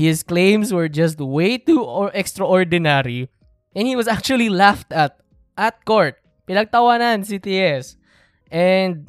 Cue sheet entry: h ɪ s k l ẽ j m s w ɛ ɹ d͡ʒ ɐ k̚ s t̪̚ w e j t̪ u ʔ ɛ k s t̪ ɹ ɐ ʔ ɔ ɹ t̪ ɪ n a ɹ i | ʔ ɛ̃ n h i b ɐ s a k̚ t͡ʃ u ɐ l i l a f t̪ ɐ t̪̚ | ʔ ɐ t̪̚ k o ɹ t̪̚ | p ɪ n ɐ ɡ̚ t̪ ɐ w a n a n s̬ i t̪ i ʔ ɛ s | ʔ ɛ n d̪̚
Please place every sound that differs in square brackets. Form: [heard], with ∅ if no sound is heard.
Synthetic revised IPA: h ɪ s k l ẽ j m s w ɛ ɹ d͡ʒ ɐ [∅] s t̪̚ w e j t̪ u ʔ ɛ k s t̪ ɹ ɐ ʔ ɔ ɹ [d̪] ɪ n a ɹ i | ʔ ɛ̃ n h i [w] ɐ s a k̚ t͡ʃ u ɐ l i l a f t̪ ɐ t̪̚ | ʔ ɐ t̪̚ k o ɹ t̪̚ | p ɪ n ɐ ɡ̚ t̪ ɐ w a n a n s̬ i t̪ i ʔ ɛ s | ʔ ɛ n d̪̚